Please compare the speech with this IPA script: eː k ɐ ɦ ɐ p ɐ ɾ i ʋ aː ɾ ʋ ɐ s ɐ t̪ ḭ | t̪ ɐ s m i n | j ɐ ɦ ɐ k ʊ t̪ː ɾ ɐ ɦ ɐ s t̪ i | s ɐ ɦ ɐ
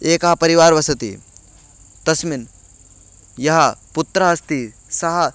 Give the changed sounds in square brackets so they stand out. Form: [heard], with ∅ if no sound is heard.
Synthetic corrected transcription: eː k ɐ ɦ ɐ p ɐ ɾ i ʋ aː ɾ ʋ ɐ s ɐ t̪ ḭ | t̪ ɐ s m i n | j ɐ ɦ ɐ [p] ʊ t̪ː ɾ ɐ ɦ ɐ s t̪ i | s ɐ ɦ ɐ

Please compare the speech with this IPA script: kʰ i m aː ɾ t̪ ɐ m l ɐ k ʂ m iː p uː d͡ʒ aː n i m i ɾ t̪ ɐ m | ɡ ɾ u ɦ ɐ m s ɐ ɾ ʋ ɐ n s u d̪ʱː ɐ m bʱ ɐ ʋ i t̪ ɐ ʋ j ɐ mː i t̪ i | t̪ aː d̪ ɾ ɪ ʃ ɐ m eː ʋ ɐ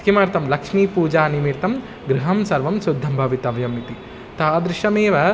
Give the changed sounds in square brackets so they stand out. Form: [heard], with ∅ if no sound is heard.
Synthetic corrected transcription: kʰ i m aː ɾ t̪ ɐ m l ɐ k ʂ m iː p uː d͡ʒ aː n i m i ɾ t̪ ɐ m | ɡ ɾ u ɦ ɐ m s ɐ ɾ ʋ ɐ [m] s u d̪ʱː ɐ m bʱ ɐ ʋ i t̪ ɐ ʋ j ɐ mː i t̪ i | t̪ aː d̪ ɾ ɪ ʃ ɐ m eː ʋ ɐ

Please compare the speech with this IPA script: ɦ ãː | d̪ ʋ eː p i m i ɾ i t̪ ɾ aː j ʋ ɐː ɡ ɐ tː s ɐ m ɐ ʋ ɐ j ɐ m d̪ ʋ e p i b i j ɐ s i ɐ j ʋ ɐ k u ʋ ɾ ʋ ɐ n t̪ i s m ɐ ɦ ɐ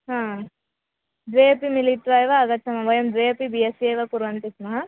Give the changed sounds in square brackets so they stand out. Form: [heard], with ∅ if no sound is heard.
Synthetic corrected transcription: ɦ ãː | d̪ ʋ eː p i m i [l] i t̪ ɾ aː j ʋ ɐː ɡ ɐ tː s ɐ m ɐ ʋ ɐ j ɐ m d̪ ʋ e p i b i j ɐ s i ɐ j ʋ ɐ k u [∅] ɾ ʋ ɐ n t̪ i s m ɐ ɦ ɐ

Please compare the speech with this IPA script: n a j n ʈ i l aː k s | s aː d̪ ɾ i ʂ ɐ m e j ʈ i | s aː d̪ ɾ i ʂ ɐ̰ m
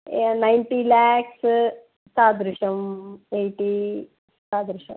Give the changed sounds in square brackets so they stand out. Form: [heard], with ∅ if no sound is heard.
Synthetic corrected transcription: n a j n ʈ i l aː k s | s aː d̪ ɾ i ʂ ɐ m e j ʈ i | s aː d̪ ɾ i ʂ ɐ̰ m

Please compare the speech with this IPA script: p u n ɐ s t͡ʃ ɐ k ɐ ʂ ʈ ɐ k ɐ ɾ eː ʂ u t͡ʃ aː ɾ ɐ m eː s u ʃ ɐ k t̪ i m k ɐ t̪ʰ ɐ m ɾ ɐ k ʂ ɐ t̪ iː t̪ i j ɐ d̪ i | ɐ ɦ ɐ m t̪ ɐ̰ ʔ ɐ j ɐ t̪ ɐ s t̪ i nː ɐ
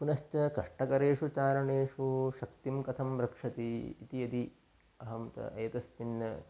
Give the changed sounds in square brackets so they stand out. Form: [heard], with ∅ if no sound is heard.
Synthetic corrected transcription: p u n ɐ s t͡ʃ ɐ k ɐ ʂ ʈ ɐ k ɐ ɾ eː ʂ u t͡ʃ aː ɾ ɐ [ɳ] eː [ʂ] u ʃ ɐ k t̪ i m k ɐ t̪ʰ ɐ m ɾ ɐ k ʂ ɐ t̪ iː t̪ i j ɐ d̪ i | ɐ ɦ ɐ m t̪ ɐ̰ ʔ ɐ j ɐ t̪ ɐ s t̪ i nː ɐ

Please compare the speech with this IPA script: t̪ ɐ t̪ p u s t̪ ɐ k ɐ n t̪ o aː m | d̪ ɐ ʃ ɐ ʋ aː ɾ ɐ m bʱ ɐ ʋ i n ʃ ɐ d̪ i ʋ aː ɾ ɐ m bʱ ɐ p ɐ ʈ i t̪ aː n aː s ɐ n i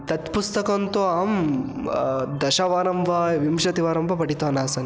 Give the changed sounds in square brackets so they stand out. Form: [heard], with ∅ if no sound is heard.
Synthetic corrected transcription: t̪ ɐ t̪ p u s t̪ ɐ k ɐ n t̪ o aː m | d̪ ɐ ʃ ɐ ʋ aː ɾ ɐ m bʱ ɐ ʋ i [m] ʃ ɐ [t̪] i ʋ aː ɾ ɐ m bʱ ɐ p ɐ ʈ i t̪ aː n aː s ɐ n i

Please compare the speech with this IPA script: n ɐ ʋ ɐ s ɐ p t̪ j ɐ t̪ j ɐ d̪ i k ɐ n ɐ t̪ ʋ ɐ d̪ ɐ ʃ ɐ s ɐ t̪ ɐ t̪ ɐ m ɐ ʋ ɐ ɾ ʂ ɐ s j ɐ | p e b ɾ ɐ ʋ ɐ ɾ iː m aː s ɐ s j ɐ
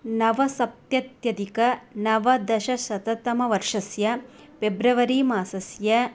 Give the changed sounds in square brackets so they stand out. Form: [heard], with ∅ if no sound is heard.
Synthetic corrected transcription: n ɐ ʋ ɐ s ɐ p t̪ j ɐ t̪ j ɐ d̪ i k ɐ n ɐ [∅] ʋ ɐ d̪ ɐ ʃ ɐ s ɐ t̪ ɐ t̪ ɐ m ɐ ʋ ɐ ɾ ʂ ɐ s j ɐ | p e b ɾ ɐ ʋ ɐ ɾ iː m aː s ɐ s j ɐ

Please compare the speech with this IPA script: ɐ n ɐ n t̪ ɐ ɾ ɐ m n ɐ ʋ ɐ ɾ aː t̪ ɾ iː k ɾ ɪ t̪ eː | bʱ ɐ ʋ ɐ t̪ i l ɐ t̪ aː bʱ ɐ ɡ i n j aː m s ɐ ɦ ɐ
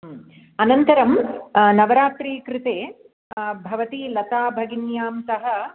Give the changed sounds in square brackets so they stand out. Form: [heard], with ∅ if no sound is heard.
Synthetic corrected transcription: ɐ n ɐ n t̪ ɐ ɾ ɐ m n ɐ ʋ ɐ ɾ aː t̪ ɾ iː k ɾ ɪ t̪ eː | bʱ ɐ ʋ ɐ t̪ i l ɐ t̪ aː bʱ ɐ ɡ i n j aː m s ɐ ɦ ɐ

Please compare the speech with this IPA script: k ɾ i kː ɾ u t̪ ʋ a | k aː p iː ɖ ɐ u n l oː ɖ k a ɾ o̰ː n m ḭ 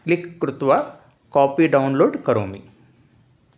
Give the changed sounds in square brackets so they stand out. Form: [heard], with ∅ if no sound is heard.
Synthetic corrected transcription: k [l] i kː ɾ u t̪ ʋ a | k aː p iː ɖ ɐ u n l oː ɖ k [ɐ] ɾ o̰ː [∅] m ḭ

